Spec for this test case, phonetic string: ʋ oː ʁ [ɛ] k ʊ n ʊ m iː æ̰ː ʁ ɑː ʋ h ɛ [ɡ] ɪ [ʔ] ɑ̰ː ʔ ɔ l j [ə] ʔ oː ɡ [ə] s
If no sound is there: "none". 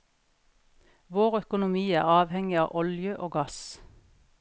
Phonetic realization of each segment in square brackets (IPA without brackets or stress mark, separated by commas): œ, ŋ, none, ə, ɑ